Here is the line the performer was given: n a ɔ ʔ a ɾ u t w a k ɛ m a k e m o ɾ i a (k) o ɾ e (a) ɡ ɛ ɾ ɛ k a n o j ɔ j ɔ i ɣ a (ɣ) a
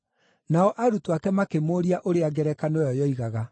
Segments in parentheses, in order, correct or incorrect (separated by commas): incorrect, correct, correct